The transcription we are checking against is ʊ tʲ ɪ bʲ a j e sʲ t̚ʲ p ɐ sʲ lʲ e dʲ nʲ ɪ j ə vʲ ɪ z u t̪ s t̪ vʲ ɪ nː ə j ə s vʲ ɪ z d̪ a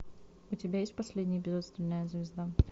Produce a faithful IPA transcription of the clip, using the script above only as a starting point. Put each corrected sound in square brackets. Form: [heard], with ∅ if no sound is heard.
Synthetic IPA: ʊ tʲ ɪ bʲ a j e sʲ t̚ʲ p ɐ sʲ lʲ e dʲ nʲ ɪ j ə [bʲ] ɪ z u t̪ s t̪ vʲ ɪ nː ə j ə [z] vʲ ɪ z d̪ a